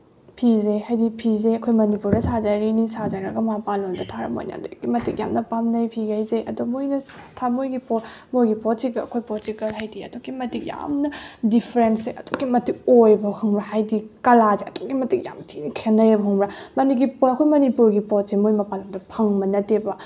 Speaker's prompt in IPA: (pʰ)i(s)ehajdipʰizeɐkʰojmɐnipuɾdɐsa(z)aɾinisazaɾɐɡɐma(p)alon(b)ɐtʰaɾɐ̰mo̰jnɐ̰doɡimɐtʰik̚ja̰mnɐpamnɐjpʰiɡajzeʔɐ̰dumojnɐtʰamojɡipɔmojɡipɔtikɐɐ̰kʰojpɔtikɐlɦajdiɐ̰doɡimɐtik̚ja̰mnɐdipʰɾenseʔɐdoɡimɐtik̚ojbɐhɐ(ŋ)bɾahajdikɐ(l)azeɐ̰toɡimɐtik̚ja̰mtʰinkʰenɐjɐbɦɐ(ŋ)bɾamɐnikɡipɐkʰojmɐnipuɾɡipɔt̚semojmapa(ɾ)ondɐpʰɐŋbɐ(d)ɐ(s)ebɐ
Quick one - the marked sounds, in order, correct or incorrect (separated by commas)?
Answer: correct, incorrect, correct, correct, incorrect, correct, correct, correct, incorrect, incorrect, incorrect